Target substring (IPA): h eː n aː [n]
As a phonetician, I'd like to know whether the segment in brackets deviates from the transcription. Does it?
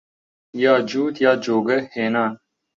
no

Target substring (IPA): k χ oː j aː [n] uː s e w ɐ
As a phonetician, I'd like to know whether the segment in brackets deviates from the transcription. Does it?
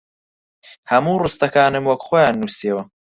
yes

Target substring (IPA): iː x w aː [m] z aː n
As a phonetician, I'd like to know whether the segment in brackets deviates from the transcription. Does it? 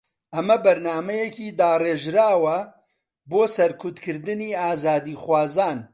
yes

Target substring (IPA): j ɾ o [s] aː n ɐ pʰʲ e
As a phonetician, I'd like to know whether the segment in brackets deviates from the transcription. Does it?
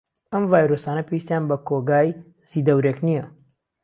no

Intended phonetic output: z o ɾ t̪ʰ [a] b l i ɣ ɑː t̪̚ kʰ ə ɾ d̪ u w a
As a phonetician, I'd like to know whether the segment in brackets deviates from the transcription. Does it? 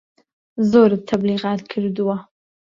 no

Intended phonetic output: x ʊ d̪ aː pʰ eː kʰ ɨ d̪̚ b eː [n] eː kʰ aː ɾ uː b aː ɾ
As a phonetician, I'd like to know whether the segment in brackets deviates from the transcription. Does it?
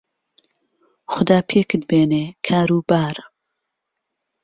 no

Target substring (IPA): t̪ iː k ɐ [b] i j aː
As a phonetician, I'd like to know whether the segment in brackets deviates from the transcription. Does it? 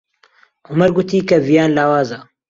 yes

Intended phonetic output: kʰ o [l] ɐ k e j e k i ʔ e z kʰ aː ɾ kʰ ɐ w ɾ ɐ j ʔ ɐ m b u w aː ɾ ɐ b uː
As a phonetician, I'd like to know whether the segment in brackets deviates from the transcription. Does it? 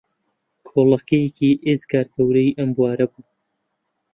no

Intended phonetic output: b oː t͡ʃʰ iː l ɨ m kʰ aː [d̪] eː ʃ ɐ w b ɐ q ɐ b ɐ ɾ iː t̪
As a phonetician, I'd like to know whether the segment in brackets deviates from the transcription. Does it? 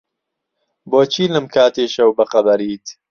yes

